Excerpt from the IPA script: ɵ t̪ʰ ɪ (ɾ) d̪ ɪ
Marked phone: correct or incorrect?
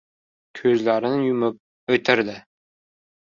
correct